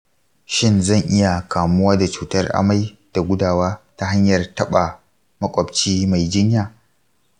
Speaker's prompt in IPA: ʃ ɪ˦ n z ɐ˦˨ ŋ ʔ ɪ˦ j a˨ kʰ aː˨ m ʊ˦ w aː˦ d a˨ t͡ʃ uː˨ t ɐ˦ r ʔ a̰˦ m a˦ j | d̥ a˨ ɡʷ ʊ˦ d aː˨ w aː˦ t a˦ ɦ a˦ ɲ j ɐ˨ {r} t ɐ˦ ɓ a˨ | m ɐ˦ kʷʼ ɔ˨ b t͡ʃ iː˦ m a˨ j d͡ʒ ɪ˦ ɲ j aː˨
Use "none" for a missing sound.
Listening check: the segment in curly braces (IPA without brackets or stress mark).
r